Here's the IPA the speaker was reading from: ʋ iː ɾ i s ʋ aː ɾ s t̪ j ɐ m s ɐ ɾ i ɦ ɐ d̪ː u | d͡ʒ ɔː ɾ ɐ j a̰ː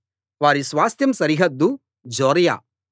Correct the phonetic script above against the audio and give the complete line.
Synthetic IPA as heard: ʋ aː ɾ i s ʋ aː s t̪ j ɐ m s ɐ ɾ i ɦ ɐ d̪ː u | d͡ʒ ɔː ɾ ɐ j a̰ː